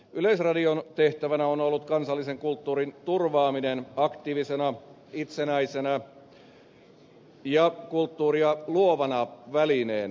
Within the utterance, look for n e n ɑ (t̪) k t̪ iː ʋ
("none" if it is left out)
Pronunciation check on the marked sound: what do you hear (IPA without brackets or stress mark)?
none